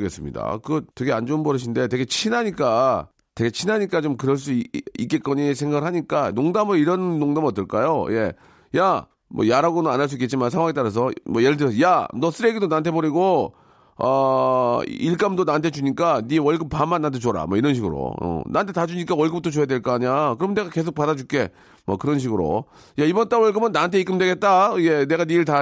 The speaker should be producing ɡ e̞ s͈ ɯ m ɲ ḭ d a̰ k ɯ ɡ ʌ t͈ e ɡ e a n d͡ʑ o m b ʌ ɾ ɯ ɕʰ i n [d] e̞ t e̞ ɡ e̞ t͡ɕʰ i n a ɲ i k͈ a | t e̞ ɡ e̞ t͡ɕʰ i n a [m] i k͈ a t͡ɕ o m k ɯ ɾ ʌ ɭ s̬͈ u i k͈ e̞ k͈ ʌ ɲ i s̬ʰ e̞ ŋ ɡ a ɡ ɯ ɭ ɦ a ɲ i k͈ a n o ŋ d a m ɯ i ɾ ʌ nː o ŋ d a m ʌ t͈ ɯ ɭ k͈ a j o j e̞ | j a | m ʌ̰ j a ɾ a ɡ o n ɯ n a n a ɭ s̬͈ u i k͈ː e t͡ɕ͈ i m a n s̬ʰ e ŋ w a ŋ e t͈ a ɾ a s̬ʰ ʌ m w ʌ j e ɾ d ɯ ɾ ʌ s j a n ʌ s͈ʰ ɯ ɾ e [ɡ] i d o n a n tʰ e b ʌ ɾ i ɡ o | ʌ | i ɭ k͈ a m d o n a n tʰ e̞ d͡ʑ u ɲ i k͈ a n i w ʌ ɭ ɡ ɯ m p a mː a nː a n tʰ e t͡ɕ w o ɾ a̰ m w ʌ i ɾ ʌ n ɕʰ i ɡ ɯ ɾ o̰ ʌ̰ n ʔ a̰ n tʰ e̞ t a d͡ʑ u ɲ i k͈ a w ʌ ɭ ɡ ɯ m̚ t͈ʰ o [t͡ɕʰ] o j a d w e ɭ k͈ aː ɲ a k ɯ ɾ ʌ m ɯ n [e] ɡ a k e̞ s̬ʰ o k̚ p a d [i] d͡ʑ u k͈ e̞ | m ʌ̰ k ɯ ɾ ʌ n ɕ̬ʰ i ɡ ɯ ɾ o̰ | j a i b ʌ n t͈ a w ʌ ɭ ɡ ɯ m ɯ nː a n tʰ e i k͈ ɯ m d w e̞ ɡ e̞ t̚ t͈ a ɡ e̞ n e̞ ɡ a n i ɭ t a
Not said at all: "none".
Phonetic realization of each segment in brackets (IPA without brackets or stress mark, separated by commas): d, ɲ, ɡ, t͡ɕ, e, a